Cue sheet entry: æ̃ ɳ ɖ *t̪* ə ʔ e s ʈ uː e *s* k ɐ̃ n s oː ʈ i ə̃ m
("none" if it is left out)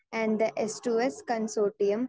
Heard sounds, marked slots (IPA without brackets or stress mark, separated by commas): d̪, s